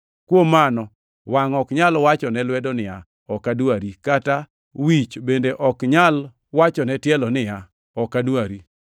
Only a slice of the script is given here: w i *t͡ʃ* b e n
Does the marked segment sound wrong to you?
no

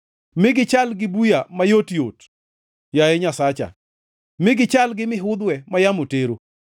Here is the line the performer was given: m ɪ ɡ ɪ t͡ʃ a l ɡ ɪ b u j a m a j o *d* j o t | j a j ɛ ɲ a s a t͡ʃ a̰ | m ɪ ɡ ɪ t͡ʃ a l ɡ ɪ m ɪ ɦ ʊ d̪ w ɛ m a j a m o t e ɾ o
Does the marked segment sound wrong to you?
yes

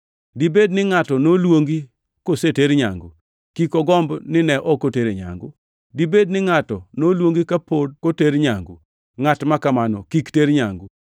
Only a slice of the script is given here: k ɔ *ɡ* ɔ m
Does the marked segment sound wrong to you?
no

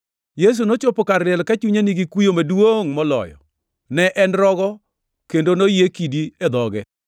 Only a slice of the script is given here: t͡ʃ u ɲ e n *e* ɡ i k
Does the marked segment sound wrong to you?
yes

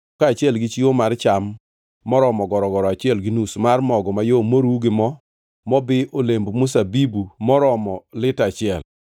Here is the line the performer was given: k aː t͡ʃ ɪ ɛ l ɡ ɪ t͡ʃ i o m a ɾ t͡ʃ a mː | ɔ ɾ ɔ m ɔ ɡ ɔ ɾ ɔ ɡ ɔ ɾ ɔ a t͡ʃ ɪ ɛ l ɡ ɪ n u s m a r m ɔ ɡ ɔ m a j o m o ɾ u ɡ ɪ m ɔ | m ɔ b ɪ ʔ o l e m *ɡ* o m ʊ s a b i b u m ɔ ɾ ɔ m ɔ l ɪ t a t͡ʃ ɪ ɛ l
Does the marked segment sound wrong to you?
yes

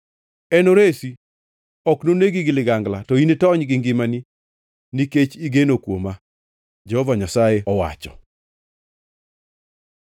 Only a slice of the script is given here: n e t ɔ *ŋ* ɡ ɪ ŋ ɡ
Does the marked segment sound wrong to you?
yes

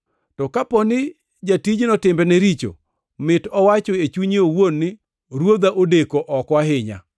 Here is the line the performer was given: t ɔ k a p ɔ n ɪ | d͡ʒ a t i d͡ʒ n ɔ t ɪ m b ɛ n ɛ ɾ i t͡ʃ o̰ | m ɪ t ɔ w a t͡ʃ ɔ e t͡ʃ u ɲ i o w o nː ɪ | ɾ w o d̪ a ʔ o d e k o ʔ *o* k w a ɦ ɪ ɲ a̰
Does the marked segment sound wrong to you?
yes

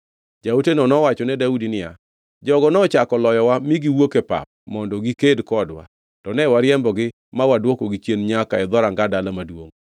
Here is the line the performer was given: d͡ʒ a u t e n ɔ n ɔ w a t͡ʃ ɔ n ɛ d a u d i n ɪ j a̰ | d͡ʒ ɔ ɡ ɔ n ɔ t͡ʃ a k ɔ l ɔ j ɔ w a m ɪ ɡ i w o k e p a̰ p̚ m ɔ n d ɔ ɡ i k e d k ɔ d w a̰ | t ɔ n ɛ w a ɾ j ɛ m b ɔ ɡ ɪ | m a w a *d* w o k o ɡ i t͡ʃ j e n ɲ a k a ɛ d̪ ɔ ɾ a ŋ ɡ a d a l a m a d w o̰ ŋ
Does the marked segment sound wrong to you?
no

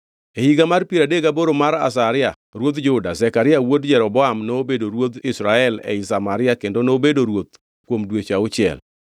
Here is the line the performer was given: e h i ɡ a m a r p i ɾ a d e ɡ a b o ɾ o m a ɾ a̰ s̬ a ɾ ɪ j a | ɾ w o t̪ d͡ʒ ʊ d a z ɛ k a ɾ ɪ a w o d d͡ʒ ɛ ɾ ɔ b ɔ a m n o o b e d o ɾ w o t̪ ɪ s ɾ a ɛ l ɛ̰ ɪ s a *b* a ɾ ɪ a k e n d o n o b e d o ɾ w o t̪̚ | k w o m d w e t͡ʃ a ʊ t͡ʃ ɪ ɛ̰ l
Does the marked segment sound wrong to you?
yes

